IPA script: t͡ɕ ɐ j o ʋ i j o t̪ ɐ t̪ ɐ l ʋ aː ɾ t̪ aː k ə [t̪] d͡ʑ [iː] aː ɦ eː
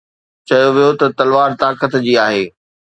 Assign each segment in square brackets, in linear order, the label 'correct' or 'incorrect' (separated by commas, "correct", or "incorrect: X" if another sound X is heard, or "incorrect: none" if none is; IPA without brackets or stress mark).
correct, correct